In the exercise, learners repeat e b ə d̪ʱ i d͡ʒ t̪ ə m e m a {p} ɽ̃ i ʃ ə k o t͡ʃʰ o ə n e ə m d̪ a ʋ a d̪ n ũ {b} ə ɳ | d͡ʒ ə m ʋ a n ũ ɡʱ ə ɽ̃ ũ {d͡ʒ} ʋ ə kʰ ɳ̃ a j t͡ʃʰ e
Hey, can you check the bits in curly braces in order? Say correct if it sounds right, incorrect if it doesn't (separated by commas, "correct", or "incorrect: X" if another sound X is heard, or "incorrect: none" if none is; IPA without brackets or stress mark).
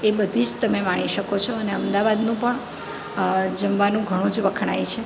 incorrect: none, incorrect: p, correct